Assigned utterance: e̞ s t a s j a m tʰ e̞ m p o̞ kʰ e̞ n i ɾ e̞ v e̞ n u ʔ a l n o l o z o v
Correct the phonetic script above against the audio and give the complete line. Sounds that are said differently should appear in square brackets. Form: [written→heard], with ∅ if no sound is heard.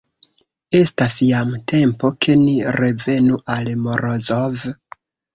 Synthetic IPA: e̞ s t a s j a m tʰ e̞ m p o̞ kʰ e̞ n i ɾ e̞ v e̞ n u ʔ a l [n→m] o [l→ɾ] o z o v